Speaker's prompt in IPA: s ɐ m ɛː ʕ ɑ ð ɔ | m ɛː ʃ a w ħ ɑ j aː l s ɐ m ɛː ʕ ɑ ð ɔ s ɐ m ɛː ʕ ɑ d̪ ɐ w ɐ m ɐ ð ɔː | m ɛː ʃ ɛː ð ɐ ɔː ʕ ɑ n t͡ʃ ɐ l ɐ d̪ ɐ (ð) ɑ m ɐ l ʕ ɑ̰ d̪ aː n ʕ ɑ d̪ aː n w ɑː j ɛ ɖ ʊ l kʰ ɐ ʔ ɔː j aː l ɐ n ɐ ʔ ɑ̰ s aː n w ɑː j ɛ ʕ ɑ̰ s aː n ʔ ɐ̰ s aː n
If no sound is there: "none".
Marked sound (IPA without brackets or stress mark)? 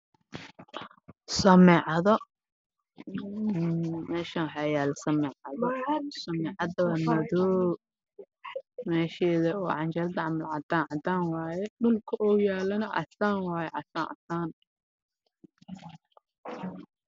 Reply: ʕ